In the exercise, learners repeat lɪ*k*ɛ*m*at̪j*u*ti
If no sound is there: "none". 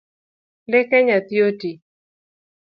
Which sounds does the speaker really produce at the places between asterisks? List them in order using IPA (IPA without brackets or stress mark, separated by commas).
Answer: k, ɲ, o